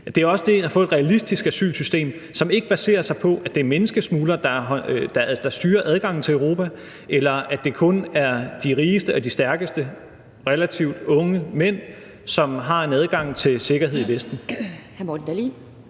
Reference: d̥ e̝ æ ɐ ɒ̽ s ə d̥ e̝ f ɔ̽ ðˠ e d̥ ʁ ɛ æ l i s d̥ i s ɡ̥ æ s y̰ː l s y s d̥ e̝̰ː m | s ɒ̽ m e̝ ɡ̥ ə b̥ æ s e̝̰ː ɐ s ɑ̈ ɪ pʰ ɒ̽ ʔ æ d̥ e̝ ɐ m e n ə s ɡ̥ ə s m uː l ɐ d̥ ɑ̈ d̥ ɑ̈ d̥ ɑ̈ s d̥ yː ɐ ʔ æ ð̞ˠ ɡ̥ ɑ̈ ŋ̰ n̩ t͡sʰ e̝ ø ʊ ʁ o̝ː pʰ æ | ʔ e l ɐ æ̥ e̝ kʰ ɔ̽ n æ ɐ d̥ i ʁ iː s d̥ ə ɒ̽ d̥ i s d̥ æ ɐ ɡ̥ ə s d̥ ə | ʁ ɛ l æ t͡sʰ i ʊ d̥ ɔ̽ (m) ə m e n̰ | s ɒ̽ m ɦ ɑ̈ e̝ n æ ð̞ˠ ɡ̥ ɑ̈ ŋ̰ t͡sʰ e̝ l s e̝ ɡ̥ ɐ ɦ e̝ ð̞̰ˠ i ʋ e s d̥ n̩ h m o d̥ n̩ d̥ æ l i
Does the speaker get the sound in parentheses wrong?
yes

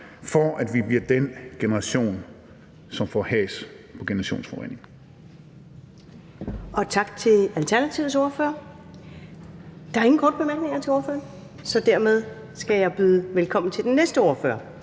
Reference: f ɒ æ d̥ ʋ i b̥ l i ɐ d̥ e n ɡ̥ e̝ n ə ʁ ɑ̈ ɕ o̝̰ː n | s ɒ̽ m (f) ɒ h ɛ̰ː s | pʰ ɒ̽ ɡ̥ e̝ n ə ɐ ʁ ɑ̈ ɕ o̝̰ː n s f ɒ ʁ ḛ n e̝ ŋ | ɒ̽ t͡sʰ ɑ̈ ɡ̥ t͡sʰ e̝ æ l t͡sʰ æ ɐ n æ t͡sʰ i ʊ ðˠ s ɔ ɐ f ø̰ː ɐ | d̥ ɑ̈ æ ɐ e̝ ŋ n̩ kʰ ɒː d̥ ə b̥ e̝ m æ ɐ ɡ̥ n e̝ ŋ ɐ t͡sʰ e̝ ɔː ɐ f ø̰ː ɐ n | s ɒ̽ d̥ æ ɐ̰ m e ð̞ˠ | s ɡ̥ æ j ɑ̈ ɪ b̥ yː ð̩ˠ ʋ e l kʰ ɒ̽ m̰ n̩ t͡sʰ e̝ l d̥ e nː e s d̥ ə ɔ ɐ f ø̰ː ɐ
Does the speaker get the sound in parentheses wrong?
no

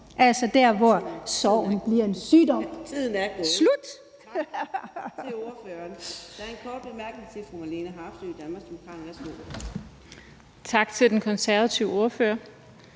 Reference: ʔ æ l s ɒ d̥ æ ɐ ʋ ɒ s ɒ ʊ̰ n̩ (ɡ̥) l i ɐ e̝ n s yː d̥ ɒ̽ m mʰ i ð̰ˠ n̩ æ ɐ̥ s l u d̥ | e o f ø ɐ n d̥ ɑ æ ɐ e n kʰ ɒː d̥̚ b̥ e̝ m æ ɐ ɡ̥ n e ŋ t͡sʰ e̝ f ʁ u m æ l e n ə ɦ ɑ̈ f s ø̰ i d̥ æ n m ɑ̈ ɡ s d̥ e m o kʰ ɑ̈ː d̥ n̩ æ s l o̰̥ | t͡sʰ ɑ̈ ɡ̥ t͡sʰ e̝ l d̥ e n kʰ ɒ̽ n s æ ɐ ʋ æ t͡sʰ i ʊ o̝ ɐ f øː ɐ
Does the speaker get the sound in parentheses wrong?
yes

